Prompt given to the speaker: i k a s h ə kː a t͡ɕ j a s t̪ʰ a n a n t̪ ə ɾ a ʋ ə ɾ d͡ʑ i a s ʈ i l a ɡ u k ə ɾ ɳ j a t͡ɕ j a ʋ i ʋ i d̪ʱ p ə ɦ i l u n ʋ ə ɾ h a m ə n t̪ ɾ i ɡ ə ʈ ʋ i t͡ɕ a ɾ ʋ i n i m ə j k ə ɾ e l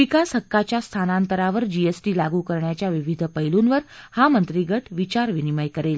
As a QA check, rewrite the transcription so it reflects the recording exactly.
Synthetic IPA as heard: i k a s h ə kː a t͡ɕ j a s t̪ʰ a n a n t̪ ə ɾ a ʋ ə ɾ d͡ʑ i e s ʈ i l a ɡ u k ə ɾ ɳ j a t͡ɕ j a ʋ i ʋ i d̪ʱ p ə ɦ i l u n ʋ ə ɾ h a m ə n t̪ ɾ i ɡ ə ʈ ʋ i t͡ɕ a ɾ ʋ i n i m ə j k ə ɾ e l